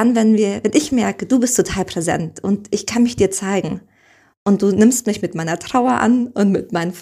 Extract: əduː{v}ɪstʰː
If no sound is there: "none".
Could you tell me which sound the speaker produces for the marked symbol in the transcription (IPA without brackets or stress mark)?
b